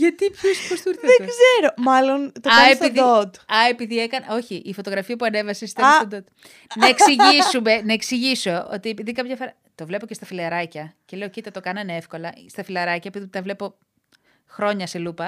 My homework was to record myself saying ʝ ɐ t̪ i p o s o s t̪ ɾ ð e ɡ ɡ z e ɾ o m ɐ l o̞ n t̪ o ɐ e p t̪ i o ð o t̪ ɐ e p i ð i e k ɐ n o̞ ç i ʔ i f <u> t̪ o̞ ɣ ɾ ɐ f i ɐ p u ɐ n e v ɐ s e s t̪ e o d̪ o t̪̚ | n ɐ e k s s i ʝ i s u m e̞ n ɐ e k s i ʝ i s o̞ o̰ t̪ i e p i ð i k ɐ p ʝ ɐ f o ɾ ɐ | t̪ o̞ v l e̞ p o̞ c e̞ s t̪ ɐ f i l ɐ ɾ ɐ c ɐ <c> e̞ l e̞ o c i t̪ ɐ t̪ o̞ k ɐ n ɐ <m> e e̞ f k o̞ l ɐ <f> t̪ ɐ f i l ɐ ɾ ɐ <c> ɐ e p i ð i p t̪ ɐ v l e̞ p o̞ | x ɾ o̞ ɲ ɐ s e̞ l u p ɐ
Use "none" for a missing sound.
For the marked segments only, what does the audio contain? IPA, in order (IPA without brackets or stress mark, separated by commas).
o, c, n, s, c